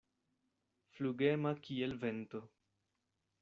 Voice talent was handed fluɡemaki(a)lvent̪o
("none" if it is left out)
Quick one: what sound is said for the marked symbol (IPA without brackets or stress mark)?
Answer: e